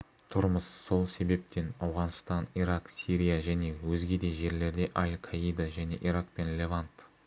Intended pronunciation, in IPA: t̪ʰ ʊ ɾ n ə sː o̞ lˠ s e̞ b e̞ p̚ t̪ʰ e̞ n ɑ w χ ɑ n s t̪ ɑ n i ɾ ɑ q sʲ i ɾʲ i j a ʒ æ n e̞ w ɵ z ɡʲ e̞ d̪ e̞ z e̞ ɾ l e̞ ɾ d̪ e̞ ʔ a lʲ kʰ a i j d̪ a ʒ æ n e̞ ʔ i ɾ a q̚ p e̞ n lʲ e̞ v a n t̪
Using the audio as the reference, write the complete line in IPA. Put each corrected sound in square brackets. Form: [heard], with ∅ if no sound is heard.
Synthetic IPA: t̪ʰ ʊ ɾ [m] ə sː o̞ lˠ s e̞ b e̞ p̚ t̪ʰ e̞ n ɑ w [ʁ] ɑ n s t̪ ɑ n i ɾ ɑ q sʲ i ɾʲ i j a ʒ æ n e̞ w ɵ z ɡʲ e̞ d̪ e̞ [ʒ] e̞ ɾ l e̞ ɾ d̪ e̞ ʔ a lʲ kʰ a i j d̪ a ʒ æ n e̞ ʔ i ɾ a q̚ p e̞ n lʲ e̞ v a n t̪

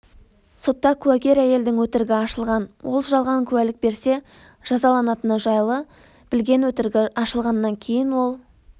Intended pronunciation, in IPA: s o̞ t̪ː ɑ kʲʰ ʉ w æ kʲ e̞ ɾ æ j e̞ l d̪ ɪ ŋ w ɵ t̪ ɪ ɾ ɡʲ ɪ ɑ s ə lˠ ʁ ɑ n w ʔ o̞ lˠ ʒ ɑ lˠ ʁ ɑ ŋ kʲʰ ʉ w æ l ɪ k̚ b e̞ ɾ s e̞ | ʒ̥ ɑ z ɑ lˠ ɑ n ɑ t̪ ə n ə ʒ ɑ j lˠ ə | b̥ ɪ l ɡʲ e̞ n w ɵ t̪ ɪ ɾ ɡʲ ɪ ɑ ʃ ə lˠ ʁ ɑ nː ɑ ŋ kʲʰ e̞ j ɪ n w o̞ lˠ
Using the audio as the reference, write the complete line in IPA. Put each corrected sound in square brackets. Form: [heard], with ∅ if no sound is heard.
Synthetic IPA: s o̞ t̪ː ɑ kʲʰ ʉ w æ kʲ e̞ ɾ æ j e̞ l d̪ ɪ ŋ w ɵ t̪ ɪ ɾ ɡʲ ɪ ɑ [ʃ] ə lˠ ʁ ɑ n w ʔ o̞ lˠ ʒ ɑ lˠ ʁ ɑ ŋ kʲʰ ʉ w æ l ɪ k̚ b e̞ ɾ s e̞ | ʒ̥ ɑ z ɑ lˠ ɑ n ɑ t̪ ə n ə ʒ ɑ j lˠ ə | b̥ ɪ l ɡʲ e̞ n w ɵ t̪ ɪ ɾ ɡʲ ɪ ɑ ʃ ə lˠ ʁ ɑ nː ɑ ŋ kʲʰ e̞ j ɪ n w o̞ lˠ

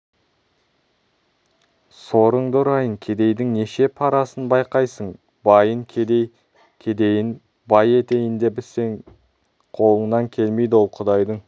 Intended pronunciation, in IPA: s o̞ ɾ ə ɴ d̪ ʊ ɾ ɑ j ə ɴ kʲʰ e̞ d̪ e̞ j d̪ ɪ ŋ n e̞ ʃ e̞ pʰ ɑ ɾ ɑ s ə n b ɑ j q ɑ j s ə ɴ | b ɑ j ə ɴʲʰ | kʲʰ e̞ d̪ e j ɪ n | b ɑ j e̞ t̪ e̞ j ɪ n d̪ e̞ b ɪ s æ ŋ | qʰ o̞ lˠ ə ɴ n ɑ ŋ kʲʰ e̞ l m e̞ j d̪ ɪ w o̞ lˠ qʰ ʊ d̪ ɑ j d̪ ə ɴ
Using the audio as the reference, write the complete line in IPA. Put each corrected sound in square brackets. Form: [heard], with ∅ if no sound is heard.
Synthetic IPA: s o̞ ɾ ə ɴ d̪ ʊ ɾ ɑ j ə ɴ kʲʰ e̞ d̪ e̞ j d̪ ɪ ŋ n e̞ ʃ e̞ pʰ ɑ ɾ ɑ s ə n b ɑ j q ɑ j s ə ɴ | b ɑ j ə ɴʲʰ | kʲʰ e̞ d̪ e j ɪ n | b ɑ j e̞ t̪ e̞ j ɪ n d̪ e̞ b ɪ s [e] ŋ | qʰ o̞ lˠ ə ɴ n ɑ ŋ kʲʰ e̞ l m e̞ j d̪ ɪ w o̞ lˠ qʰ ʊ d̪ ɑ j d̪ ə ɴ

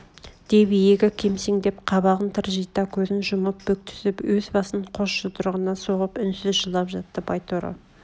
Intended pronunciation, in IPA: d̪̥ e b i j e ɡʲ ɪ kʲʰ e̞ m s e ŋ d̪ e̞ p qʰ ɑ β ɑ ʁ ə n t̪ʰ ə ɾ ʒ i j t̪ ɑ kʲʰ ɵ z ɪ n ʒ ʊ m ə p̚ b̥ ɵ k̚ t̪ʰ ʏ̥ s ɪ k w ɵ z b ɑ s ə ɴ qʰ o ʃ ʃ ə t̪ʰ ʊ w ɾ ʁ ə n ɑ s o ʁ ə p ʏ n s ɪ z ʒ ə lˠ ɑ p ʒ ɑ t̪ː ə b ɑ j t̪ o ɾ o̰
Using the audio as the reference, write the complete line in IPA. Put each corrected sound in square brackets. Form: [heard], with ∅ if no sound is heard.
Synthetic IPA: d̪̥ e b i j e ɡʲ ɪ kʲʰ e̞ m s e ŋ d̪ e̞ p qʰ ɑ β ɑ ʁ ə n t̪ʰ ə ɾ ʒ i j t̪ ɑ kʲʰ ɵ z ɪ n ʒ ʊ m ə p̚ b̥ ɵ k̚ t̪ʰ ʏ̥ s ɪ [p] w ɵ z b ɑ s ə ɴ qʰ o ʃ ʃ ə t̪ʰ ʊ [∅] ɾ ʁ ə n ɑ s o ʁ ə p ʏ n s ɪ z ʒ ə lˠ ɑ p ʒ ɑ t̪ː ə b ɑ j t̪ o ɾ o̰

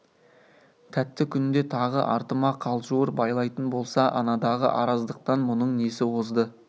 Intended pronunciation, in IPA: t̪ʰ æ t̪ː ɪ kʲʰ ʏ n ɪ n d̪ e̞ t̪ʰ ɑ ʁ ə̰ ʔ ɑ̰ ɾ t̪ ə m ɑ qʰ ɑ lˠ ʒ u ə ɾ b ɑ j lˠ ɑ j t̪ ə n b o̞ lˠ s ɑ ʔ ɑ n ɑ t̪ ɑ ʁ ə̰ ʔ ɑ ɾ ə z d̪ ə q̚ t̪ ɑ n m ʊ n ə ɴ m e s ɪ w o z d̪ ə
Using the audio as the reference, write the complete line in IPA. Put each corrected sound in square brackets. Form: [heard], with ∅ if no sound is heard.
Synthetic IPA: t̪ʰ æ t̪ː ɪ kʲʰ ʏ n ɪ n d̪ e̞ t̪ʰ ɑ ʁ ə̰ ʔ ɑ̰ ɾ t̪ ə m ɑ qʰ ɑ lˠ ʒ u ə ɾ b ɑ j lˠ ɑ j t̪ ə n b o̞ lˠ s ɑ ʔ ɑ n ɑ [d̪] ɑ ʁ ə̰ ʔ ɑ ɾ [ɑ] z d̪ ə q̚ t̪ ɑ n m ʊ n ə ɴ [n] e s ɪ w o z d̪ ə

